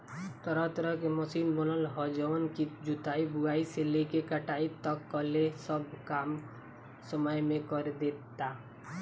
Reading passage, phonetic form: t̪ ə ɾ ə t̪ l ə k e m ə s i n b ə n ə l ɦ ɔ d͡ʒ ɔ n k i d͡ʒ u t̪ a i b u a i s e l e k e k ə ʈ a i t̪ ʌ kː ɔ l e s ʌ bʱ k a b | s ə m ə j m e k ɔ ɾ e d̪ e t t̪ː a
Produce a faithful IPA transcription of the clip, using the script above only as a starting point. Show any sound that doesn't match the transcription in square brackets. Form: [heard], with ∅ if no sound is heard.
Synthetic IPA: t̪ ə ɾ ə t̪ [ɾ] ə k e m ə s i n b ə n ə l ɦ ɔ d͡ʒ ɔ n k i d͡ʒ u t̪ a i b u a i s e l e k e k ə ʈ a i t̪ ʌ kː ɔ l e s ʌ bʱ k a [m] | s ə m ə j m e k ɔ ɾ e d̪ e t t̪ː a